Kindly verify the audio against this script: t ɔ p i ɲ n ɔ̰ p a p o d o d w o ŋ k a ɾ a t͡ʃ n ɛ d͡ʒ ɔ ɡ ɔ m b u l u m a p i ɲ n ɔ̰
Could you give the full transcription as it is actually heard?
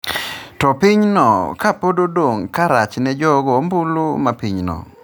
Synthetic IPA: t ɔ p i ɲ n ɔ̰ k a p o d o d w o ŋ k a ɾ a t͡ʃ n ɛ d͡ʒ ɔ ɡ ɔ m b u l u m a p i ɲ n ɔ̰